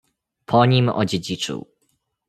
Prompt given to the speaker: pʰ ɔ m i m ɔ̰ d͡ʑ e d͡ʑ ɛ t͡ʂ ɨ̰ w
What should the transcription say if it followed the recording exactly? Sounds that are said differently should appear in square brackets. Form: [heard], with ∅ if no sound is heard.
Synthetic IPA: pʰ ɔ [ɲ] i m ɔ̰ d͡ʑ e d͡ʑ [i] t͡ʂ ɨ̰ w